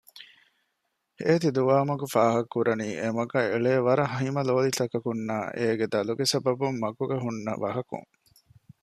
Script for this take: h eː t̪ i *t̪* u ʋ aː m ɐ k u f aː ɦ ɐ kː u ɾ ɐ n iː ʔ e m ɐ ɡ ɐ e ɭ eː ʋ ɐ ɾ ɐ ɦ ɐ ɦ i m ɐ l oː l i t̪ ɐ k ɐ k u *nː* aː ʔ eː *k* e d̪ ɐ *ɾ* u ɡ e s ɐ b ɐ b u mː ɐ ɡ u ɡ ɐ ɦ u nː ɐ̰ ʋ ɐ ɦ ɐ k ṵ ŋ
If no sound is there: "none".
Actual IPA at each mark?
d̪, nː, ɡ, l

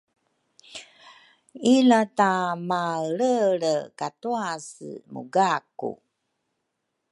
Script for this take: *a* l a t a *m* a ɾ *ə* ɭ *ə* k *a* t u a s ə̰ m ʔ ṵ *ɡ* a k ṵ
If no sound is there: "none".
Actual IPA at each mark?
i, m, ə, ə, a, ɡ

